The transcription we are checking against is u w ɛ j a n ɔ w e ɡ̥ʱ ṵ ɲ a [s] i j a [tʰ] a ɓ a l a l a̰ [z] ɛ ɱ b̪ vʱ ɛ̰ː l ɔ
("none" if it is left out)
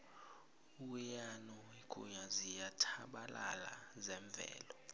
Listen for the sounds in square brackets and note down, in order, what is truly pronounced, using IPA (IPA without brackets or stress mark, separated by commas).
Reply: z, tʰ, z